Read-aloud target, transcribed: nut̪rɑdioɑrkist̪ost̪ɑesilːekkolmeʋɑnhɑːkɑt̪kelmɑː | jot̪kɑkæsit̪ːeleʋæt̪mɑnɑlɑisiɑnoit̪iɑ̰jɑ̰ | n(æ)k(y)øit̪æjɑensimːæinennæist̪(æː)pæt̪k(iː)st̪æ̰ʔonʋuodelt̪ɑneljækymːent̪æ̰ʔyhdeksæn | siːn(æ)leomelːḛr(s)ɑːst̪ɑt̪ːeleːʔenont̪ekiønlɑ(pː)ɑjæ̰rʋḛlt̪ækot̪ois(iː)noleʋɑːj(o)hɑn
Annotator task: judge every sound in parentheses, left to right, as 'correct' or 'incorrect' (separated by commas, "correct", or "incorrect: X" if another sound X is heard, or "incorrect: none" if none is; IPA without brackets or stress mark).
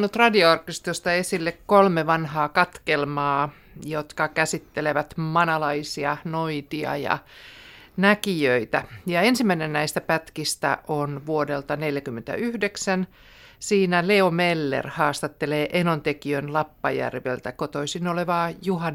correct, incorrect: i, incorrect: æ, incorrect: i, correct, incorrect: h, correct, incorrect: i, incorrect: u